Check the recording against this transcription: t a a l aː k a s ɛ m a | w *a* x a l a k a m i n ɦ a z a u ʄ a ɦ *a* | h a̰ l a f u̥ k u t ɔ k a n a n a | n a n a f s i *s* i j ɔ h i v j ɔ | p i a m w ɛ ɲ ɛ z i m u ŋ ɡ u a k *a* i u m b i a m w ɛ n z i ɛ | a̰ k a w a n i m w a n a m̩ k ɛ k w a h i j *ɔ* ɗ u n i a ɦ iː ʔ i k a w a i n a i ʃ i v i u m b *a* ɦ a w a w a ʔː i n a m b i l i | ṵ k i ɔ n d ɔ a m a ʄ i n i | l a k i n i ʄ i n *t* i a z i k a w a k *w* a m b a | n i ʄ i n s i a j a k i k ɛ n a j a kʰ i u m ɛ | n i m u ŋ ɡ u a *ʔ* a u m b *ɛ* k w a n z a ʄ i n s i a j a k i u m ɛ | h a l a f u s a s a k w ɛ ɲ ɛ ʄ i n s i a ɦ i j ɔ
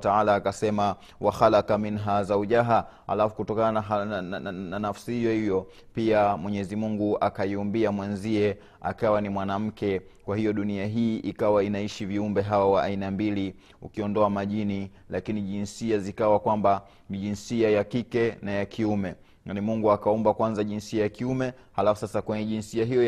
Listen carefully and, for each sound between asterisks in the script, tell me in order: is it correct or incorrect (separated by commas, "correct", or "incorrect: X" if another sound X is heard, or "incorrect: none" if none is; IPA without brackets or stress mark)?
correct, correct, incorrect: h, correct, correct, incorrect: ɛ, incorrect: s, correct, incorrect: k, incorrect: a